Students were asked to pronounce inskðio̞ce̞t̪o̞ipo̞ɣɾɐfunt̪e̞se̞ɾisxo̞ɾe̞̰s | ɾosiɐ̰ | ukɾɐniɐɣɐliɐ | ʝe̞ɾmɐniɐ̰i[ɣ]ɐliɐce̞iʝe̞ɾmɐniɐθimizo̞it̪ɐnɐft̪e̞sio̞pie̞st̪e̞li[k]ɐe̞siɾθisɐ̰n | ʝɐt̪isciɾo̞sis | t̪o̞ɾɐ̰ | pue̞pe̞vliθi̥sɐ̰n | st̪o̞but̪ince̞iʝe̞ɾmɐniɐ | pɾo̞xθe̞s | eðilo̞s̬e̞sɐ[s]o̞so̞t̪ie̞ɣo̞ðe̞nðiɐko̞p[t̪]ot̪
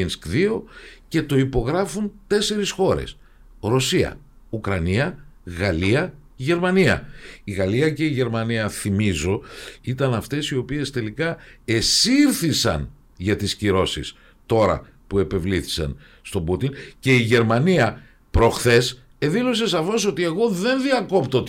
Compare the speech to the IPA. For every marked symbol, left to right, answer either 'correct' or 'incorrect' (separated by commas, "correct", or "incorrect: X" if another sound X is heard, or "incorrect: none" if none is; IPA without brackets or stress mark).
correct, correct, incorrect: f, correct